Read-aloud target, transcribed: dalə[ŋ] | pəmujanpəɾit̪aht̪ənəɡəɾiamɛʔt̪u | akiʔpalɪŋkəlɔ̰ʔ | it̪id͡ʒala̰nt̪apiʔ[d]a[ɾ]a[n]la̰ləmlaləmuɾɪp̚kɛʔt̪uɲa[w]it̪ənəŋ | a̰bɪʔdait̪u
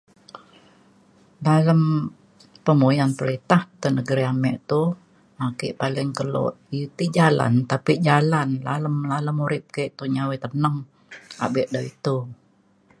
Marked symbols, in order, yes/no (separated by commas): no, no, no, yes, yes